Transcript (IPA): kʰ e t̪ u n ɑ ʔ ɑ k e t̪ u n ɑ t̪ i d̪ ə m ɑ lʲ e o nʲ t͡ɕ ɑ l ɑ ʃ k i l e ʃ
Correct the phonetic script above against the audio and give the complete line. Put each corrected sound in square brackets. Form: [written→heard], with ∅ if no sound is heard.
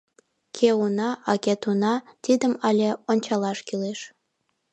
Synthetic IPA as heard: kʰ e [t̪→∅] u n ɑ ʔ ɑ k e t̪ u n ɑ t̪ i d̪ ə m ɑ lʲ e o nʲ t͡ɕ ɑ l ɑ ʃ k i l e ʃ